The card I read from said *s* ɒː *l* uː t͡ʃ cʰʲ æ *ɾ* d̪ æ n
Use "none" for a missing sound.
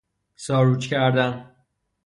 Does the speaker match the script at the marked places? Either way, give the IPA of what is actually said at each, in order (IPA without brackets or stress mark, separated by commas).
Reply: s, ɾ, ɾ